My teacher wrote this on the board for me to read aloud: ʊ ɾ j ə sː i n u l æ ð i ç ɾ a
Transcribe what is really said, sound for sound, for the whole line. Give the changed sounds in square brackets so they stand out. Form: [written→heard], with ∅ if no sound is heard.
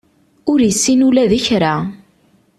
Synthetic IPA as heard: ʊ ɾ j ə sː i n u l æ ð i ç ɾ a